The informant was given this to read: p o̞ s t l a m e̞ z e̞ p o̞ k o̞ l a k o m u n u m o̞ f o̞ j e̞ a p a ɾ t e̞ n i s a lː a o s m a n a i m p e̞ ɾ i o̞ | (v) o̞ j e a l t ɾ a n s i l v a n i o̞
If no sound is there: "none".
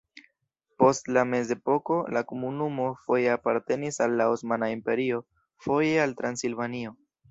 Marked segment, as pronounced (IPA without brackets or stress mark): f